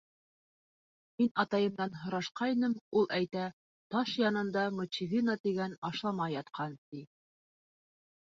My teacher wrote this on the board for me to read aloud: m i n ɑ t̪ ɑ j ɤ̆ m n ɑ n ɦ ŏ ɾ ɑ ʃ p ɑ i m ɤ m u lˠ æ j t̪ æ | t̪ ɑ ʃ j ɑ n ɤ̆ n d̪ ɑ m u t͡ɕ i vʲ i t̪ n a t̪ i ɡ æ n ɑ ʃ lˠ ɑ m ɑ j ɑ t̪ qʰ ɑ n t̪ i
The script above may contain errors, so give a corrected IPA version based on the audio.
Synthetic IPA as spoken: m i n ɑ t̪ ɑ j ɤ̆ m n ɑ n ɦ ŏ ɾ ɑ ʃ q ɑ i n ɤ m u lˠ æ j t̪ æ | t̪ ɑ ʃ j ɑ n ɤ̆ n d̪ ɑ m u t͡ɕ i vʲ i n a t̪ i ɡ æ n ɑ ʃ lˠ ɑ m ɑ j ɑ t̪ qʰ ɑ n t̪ i